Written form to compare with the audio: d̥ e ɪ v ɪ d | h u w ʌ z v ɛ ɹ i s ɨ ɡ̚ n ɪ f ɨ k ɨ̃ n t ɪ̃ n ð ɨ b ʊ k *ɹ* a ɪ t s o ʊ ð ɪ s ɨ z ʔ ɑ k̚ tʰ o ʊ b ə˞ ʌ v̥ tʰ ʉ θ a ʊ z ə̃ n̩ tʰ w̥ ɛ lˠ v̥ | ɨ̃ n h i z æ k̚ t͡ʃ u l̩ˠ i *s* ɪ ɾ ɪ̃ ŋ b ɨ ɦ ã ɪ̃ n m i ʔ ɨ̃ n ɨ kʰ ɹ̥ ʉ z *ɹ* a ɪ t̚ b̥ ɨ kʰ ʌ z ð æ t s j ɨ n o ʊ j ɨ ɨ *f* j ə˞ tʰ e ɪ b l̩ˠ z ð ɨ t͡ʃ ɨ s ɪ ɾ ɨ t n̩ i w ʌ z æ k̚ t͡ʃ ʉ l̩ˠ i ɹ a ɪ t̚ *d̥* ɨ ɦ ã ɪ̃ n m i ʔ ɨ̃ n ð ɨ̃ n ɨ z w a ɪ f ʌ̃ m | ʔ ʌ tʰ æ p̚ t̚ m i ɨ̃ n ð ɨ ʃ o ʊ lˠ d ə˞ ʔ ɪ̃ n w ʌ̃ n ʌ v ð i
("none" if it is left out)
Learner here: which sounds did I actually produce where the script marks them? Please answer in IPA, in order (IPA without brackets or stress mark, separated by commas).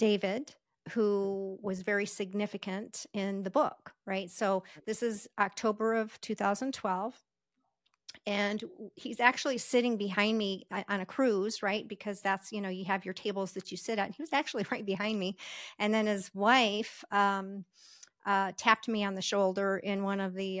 ɹ, s, ɹ, v, b̥